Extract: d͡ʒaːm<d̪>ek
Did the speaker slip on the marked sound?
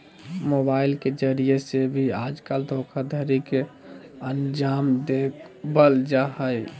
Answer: no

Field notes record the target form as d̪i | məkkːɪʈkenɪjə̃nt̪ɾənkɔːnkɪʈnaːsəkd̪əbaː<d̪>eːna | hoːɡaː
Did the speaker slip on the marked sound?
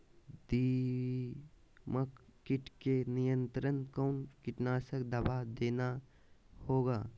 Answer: no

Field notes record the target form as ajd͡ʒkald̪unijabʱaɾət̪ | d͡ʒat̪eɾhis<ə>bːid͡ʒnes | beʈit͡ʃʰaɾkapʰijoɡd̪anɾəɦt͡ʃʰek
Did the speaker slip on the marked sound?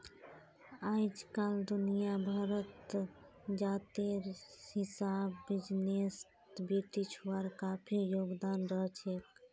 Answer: yes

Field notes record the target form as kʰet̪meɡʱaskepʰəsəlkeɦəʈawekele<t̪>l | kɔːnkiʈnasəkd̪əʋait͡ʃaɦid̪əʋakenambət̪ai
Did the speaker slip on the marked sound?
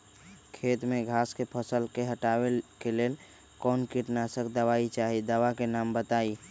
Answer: yes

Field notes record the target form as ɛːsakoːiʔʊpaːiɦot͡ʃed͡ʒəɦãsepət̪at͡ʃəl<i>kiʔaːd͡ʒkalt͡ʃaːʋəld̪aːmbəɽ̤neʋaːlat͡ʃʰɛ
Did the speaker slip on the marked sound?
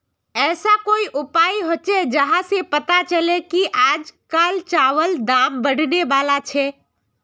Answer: yes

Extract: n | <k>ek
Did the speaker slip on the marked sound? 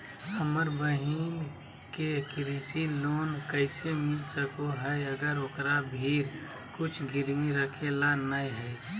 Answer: no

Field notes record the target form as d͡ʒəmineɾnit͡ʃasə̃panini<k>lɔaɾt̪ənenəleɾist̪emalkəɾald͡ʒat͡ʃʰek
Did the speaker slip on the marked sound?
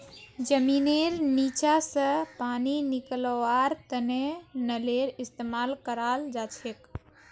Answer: no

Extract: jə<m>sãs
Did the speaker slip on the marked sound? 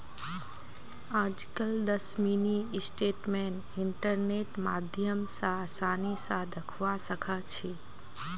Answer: no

